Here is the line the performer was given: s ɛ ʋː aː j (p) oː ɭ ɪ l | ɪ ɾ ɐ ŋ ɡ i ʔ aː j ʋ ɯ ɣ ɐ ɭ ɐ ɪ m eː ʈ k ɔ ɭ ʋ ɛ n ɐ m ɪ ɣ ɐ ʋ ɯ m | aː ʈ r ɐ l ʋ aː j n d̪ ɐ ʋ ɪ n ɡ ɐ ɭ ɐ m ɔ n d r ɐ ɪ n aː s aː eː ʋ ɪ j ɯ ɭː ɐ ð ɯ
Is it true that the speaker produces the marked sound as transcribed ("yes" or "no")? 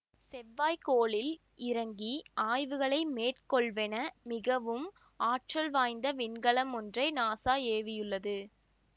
no